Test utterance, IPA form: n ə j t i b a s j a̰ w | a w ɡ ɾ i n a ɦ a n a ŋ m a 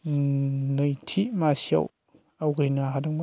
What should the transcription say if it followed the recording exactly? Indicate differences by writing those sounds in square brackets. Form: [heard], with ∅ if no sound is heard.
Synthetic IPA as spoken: n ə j [tʰ] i [m] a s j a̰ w | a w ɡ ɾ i n a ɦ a [d] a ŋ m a